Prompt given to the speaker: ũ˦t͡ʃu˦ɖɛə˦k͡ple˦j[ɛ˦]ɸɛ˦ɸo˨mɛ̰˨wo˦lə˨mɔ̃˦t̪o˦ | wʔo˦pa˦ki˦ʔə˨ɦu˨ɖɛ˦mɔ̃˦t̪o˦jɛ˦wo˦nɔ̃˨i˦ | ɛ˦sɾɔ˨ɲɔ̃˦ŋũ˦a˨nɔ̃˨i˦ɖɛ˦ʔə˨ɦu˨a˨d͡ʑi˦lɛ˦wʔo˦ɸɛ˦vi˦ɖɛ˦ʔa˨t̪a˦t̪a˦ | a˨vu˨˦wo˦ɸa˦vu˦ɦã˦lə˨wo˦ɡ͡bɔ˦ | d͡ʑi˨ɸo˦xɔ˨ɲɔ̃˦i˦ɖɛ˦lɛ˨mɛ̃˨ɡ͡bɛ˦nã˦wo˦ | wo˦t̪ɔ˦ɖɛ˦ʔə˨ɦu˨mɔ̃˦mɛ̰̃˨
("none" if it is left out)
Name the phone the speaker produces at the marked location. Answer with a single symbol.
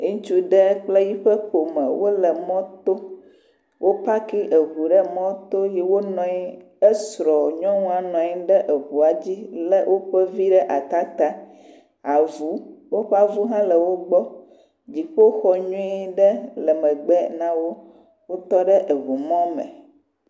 i˦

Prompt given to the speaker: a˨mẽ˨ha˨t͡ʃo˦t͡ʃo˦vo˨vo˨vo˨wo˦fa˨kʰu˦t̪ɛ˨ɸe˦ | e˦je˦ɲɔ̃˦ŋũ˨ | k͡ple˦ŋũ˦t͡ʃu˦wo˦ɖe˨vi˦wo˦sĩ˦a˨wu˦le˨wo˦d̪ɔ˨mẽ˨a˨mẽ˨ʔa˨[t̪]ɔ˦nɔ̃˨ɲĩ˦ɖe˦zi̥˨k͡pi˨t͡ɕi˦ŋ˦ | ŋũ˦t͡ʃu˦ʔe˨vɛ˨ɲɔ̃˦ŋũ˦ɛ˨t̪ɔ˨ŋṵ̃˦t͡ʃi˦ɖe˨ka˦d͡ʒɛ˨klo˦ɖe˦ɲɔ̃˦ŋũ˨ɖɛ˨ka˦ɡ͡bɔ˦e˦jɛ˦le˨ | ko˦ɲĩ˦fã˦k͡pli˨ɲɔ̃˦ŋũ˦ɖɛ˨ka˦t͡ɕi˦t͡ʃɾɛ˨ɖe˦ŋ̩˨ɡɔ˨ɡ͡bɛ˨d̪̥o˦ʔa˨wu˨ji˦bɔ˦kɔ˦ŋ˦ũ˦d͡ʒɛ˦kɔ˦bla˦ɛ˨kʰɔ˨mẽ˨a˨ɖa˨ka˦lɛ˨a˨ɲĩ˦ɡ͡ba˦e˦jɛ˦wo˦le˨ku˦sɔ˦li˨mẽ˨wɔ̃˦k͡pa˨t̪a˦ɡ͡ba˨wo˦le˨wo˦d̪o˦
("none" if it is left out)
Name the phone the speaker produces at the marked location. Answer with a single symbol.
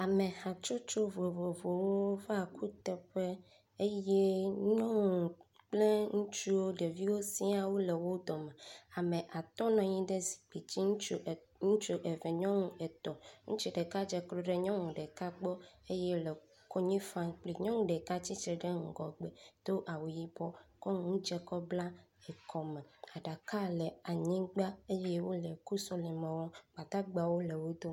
t̪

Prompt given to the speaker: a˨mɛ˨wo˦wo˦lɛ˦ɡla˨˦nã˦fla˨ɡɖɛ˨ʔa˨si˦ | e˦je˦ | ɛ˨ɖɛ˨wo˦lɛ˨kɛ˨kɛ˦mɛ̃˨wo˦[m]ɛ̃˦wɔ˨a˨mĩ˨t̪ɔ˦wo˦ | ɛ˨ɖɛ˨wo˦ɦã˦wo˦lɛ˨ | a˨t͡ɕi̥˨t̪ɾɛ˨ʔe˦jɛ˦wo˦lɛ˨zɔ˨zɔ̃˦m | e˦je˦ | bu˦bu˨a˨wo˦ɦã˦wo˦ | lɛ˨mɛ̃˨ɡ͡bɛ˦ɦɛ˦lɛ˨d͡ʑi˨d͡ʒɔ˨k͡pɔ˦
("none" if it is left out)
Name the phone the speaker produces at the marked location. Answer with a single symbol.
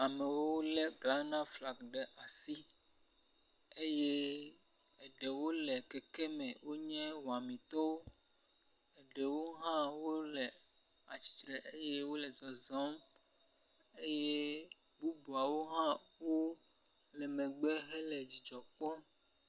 ɲ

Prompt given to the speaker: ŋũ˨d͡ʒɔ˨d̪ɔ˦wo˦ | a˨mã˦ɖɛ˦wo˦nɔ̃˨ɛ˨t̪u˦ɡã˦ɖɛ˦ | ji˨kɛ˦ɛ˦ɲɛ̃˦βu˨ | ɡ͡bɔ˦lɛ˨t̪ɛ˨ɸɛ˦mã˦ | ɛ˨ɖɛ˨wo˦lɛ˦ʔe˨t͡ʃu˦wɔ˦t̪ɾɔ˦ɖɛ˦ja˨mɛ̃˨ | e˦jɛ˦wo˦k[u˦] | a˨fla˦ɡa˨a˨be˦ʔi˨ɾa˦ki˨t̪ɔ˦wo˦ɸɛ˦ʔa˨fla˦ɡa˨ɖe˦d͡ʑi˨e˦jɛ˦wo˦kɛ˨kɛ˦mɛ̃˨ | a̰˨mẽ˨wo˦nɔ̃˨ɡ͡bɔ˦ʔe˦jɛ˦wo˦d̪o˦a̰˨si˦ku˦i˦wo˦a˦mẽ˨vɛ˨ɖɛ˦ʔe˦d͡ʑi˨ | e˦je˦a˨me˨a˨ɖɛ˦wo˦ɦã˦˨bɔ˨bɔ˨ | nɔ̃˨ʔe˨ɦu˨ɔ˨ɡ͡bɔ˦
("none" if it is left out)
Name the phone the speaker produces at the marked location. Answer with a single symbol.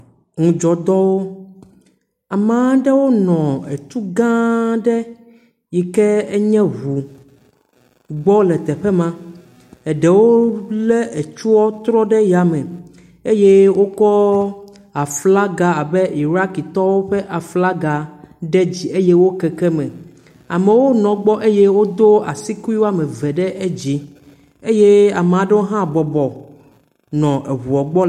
ɔ˦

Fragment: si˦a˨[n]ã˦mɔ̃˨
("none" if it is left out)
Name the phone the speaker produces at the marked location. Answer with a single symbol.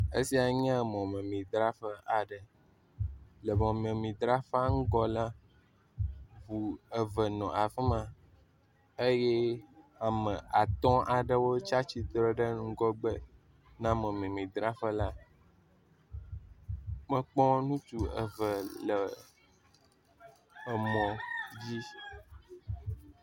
ɲ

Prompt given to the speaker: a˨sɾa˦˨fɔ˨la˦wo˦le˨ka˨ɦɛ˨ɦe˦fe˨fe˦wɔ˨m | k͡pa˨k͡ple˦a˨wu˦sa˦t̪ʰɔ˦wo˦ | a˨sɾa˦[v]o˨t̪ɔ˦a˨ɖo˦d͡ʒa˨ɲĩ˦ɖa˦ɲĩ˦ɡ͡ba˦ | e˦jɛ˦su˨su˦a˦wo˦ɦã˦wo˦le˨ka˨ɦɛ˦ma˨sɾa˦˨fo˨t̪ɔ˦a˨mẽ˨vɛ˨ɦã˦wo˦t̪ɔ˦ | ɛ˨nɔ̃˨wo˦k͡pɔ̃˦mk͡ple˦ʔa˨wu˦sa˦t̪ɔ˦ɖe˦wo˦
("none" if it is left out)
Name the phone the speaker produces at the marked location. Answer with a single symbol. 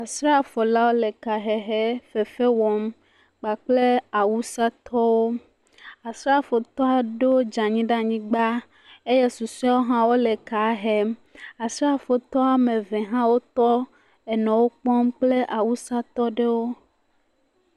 f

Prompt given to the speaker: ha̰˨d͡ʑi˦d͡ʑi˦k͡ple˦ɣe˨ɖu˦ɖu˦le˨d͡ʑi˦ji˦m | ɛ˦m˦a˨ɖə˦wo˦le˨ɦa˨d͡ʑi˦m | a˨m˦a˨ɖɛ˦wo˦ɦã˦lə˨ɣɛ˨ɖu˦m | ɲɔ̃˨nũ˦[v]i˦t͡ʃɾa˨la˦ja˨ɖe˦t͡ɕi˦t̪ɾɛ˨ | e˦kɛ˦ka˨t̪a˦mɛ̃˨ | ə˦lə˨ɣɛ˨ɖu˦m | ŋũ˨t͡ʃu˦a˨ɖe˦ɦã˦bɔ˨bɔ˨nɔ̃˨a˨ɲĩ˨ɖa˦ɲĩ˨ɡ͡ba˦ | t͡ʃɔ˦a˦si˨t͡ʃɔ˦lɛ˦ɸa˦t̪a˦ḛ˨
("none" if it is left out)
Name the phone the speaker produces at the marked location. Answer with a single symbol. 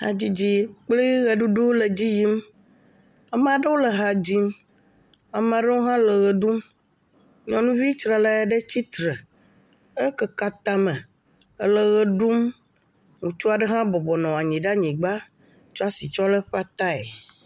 v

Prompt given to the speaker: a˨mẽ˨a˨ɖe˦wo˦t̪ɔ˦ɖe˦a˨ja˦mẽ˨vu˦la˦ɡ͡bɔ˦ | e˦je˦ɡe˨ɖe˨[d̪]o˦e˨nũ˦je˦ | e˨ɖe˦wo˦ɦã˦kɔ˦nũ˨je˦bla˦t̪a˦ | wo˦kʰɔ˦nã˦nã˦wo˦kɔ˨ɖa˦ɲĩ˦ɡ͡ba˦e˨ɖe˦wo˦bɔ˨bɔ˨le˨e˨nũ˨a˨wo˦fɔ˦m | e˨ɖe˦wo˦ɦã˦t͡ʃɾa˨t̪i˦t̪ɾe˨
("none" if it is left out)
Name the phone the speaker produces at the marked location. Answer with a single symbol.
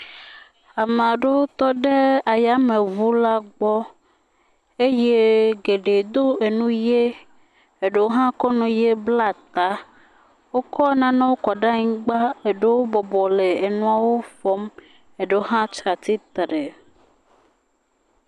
d̪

